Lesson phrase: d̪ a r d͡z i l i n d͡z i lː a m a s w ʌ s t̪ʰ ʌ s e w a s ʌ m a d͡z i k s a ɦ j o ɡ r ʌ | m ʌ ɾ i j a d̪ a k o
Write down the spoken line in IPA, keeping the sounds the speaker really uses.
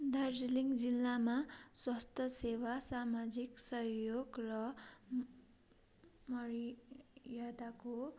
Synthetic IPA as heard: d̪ a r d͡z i l i ŋ d͡z i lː a m a s w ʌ s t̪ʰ ʌ s e w a s a m a d͡z i k s ʌ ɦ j o ɡ r ʌ | m ʌ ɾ i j a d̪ a k o

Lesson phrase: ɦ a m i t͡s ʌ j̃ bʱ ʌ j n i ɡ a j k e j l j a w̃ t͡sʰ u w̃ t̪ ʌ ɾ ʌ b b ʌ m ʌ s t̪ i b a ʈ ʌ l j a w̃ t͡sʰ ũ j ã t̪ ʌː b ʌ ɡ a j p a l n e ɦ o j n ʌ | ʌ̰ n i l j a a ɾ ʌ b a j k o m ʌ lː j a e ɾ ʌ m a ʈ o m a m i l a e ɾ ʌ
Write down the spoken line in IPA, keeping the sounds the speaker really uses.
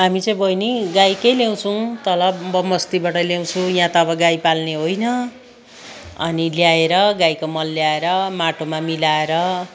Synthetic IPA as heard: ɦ a m i t͡s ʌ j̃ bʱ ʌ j n i ɡ a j k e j l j a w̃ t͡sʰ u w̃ t̪ ʌ l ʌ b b ʌ m ʌ s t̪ i b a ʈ ʌ l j a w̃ t͡sʰ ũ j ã t̪ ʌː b ʌ ɡ a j p a l n e ɦ o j n ʌ | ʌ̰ n i l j a e ɾ ʌ ɡ a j k o m ʌ lː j a e ɾ ʌ m a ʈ o m a m i l a e ɾ ʌ

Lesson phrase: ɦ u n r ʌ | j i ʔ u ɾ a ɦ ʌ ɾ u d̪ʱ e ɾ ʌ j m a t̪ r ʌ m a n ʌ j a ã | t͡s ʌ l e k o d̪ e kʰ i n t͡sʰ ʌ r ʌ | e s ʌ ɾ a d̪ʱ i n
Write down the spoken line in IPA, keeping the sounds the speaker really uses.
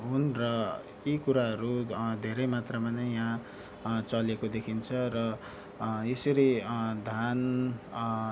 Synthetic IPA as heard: ɦ u n r ʌ | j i k u ɾ a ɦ ʌ ɾ u d̪ʱ e ɾ ʌ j m a t̪ r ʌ m a n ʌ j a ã | t͡s ʌ l e k o d̪ e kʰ i n t͡sʰ ʌ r ʌ | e s ʌ ɾ i d̪ʱ a n

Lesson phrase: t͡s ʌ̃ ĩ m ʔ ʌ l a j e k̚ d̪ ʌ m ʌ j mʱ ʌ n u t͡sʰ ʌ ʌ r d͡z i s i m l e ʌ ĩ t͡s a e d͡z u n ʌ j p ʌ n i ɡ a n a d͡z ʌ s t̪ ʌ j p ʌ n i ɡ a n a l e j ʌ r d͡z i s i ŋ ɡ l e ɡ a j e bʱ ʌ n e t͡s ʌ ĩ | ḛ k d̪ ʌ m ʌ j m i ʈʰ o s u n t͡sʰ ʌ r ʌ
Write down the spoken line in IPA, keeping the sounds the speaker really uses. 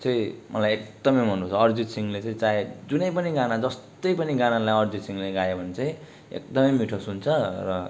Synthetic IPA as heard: t͡s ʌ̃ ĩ m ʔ ʌ l a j e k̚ d̪ ʌ m ʌ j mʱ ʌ n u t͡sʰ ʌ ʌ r d͡z i s i ŋ l e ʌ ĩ t͡s a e d͡z u n ʌ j p ʌ n i ɡ a n a d͡z ʌ s t̪ ʌ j p ʌ n i ɡ a n a l a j ʌ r d͡z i s i ŋ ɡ l e ɡ a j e bʱ ʌ n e t͡s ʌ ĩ | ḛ k d̪ ʌ m ʌ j m i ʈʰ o s u n t͡sʰ ʌ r ʌ

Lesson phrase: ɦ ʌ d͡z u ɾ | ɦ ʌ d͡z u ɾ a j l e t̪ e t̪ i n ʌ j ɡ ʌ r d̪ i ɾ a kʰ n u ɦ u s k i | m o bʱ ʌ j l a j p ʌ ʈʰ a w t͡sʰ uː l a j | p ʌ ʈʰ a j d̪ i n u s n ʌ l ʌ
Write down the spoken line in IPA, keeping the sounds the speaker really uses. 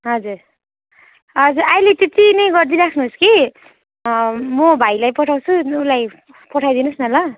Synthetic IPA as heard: ɦ ʌ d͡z u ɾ | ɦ ʌ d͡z u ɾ a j l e t̪ e t̪ i n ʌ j ɡ ʌ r d̪ i ɾ a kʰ n u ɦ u s k i | m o bʱ a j l a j p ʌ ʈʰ a w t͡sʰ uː l a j | p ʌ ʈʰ a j d̪ i n u s n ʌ l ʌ

